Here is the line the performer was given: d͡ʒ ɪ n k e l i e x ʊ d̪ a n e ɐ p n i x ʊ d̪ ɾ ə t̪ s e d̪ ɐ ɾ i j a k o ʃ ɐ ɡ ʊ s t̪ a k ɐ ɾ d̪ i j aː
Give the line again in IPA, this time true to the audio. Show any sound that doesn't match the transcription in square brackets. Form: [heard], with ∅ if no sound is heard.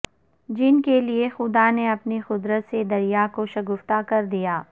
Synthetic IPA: d͡ʒ ɪ n k e l i e x ʊ d̪ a n e ɐ p n i x ʊ d̪ ɾ ə t̪ s e d̪ ɐ ɾ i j a k o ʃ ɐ ɡ ʊ [f] t̪ a k ɐ ɾ d̪ i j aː

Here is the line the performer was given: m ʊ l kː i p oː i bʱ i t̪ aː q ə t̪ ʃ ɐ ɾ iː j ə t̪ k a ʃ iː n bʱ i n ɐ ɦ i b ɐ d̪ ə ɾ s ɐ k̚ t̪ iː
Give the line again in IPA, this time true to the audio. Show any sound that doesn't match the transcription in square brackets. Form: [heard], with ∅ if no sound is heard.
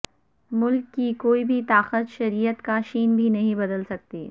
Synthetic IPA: m ʊ l kː i [k] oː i bʱ i t̪ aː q ə t̪ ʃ ɐ ɾ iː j ə t̪ k a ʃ iː n bʱ i n ɐ ɦ [ĩ] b ɐ d̪ ə [l] s ɐ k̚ t̪ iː

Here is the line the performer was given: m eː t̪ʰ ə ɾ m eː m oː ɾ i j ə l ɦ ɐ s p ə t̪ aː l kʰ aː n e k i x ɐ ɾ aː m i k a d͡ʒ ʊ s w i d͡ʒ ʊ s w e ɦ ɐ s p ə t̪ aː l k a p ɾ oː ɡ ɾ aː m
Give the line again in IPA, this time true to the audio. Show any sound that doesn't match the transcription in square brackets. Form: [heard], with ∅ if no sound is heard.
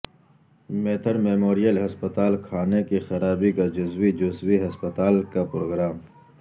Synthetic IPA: m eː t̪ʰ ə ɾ m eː m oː ɾ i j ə l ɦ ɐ s p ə t̪ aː l kʰ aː n e k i x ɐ ɾ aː [b] i k a d͡ʒ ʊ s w i d͡ʒ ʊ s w [i] ɦ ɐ s p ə t̪ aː l k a p ɾ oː ɡ ɾ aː m

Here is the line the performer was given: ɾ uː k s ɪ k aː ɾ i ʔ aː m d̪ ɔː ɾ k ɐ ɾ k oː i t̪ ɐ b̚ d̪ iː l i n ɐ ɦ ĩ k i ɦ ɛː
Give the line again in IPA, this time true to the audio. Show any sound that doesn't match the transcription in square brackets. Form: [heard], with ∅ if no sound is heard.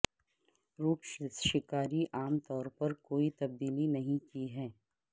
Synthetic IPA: ɾ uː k [ʃ] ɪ k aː ɾ i ʔ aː m [t̪] ɔː ɾ [p] ɐ ɾ k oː i t̪ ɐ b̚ d̪ iː l i n ɐ ɦ ĩ k i ɦ ɛː

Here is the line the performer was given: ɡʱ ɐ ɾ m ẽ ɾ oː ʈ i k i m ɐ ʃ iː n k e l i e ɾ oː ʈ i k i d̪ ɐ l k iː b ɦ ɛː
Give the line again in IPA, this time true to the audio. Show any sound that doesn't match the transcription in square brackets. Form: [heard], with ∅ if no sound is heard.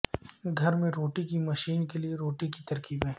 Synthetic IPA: ɡʱ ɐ ɾ m ẽ ɾ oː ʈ i k i m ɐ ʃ iː n k e l i e ɾ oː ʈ i k i [t̪] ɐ [ɾ] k iː b ɦ ɛː

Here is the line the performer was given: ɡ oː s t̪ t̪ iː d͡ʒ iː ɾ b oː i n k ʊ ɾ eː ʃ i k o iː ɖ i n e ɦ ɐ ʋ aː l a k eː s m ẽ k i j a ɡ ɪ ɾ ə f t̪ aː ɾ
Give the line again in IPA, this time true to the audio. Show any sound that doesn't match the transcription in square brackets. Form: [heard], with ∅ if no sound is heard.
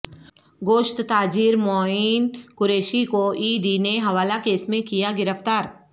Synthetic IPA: ɡ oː [ʃ] t̪ t̪ [aː] d͡ʒ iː ɾ [m] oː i n k ʊ ɾ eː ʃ i k o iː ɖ i n e ɦ ɐ ʋ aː l a k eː s m ẽ k i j a ɡ ɪ ɾ ə f t̪ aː ɾ

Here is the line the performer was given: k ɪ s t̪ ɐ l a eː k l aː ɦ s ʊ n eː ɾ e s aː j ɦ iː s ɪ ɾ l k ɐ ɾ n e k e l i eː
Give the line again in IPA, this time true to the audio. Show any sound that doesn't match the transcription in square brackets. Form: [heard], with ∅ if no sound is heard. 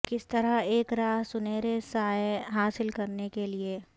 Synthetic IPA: k ɪ s t̪ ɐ [ɾ] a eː k [ɾ] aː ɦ s ʊ n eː ɾ e s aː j ɦ [aː] s ɪ [∅] l k ɐ ɾ n e k e l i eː

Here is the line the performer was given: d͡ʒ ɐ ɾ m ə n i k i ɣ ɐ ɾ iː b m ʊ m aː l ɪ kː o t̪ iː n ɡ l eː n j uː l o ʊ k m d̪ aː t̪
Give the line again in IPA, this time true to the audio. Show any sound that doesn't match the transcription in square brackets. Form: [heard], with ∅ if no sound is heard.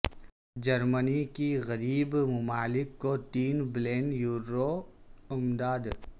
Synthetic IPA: d͡ʒ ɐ ɾ m ə n i k i ɣ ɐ ɾ iː b m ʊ m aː l ɪ kː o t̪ iː n [b] l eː n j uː [ɾ] o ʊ [∅] m d̪ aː [d̪]

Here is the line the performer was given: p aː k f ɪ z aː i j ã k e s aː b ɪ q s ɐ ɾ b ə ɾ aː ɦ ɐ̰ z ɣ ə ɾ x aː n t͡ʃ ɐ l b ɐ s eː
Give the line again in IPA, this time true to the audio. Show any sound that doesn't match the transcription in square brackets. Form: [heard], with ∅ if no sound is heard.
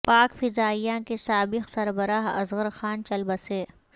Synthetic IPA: p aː k f ɪ z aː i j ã k e s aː b ɪ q s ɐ ɾ b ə ɾ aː ɦ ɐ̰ z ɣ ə ɾ x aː n t͡ʃ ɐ l b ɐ s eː

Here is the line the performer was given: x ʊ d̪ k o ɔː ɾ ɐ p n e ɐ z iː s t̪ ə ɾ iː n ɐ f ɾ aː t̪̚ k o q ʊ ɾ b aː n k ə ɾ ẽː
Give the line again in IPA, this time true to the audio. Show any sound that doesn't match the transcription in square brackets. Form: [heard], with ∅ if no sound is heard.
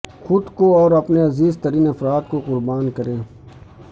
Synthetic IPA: x ʊ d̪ k o ɔː ɾ ɐ p n e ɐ z iː [z] t̪ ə ɾ iː n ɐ f ɾ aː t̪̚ k o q ʊ ɾ b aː n k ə ɾ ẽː

